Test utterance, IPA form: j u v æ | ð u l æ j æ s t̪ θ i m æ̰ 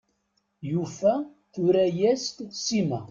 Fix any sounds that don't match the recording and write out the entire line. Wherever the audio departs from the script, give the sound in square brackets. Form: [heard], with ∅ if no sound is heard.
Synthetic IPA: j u [f] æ | [θ] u [ɾ] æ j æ s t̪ [s] i m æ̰